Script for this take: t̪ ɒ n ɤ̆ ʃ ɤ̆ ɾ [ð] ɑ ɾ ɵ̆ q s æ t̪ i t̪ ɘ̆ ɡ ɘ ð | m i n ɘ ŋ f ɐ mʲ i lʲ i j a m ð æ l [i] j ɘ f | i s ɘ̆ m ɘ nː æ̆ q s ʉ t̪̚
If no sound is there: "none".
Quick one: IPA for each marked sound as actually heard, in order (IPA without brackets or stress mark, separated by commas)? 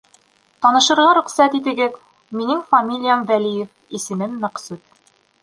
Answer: ʁ, i